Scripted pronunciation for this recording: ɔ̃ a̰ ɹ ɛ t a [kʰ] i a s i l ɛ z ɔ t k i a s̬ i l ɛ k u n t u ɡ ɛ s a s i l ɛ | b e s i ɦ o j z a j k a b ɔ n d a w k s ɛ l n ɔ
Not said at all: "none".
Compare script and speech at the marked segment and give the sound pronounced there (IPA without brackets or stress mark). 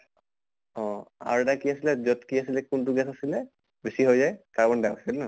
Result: k